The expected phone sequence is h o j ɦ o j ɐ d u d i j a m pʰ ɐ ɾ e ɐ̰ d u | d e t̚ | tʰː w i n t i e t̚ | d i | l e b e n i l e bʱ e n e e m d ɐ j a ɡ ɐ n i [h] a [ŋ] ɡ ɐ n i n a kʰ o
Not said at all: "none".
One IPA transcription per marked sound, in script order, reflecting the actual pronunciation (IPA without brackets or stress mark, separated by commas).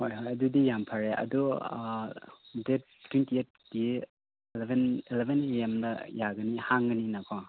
h, ŋ